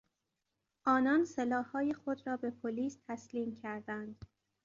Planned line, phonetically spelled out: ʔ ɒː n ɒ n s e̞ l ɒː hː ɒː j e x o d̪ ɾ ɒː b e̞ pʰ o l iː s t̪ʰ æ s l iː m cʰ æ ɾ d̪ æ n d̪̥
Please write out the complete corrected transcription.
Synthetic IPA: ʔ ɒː n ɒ n s e̞ l ɒː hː ɒː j e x o d̪ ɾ ɒː b e̞ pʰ o l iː s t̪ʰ æ s l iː m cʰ æ ɾ d̪ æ n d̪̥